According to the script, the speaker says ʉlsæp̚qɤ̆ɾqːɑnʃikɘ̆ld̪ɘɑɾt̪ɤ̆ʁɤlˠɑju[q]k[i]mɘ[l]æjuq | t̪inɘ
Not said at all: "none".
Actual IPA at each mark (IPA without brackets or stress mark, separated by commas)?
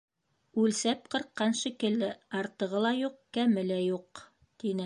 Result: q, æ, l